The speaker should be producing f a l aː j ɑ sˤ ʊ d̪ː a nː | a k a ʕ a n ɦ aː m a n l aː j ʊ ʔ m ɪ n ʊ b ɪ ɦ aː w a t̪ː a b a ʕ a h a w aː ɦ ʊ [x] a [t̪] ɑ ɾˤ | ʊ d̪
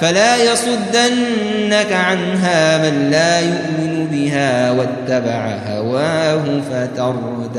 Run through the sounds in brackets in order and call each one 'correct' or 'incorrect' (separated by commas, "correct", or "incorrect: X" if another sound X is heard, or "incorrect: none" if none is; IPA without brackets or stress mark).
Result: incorrect: f, correct